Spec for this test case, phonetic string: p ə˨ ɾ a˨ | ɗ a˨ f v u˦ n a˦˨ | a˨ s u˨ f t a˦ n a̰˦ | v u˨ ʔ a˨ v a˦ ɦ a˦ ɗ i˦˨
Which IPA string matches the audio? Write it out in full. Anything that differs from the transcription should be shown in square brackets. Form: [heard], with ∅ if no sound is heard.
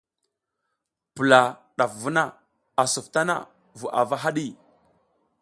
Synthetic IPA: p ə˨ [l] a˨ | ɗ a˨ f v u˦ n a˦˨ | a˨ s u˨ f t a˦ n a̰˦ | v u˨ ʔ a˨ v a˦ ɦ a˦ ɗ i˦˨